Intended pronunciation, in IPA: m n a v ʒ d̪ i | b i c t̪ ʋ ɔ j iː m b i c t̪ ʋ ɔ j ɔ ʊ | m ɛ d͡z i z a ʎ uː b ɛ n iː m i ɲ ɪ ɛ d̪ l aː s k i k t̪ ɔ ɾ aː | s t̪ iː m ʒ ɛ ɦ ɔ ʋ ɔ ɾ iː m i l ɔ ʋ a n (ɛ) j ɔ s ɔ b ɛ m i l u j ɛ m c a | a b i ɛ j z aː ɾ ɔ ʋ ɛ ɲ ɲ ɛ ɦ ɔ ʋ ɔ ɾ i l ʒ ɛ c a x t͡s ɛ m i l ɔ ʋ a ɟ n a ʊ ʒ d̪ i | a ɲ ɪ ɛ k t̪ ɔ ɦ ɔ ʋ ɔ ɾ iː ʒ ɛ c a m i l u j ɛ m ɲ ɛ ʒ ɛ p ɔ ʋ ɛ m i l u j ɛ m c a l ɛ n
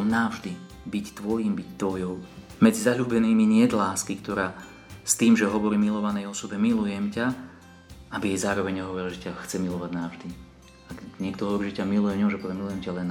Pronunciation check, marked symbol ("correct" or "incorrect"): correct